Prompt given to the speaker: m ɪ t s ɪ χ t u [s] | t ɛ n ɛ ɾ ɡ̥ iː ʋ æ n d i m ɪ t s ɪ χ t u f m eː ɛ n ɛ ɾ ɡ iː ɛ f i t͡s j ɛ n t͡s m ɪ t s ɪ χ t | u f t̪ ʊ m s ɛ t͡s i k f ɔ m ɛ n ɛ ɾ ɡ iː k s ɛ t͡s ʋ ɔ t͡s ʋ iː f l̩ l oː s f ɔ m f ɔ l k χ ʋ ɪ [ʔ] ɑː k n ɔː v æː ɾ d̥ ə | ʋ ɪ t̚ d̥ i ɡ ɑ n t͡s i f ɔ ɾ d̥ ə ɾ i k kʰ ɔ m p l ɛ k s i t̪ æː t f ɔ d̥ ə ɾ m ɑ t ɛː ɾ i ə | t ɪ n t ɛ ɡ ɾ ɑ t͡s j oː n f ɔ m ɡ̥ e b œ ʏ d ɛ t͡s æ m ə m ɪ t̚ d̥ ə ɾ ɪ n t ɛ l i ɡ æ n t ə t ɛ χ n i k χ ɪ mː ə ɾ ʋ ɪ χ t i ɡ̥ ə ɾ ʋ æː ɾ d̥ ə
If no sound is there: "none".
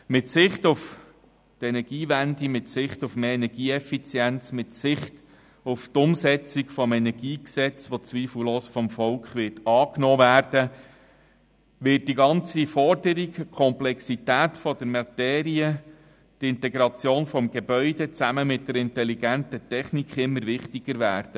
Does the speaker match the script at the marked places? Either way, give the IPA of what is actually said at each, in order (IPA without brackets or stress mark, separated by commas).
f, t